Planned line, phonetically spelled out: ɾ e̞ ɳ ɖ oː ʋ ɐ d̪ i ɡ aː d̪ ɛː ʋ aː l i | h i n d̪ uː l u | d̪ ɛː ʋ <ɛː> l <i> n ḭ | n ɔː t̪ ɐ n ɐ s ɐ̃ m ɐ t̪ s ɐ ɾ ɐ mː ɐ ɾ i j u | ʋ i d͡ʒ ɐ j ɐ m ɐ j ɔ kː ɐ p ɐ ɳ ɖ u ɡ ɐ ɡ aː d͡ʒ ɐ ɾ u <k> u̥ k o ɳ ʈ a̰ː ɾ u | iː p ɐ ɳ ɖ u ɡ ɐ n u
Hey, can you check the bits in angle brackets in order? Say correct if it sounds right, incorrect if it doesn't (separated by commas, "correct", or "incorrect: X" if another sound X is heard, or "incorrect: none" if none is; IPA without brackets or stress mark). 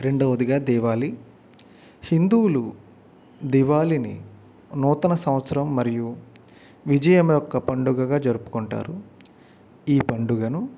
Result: incorrect: aː, correct, incorrect: p